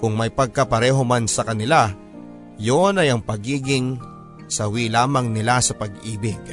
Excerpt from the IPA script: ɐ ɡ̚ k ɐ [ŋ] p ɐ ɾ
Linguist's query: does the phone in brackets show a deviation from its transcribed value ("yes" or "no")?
yes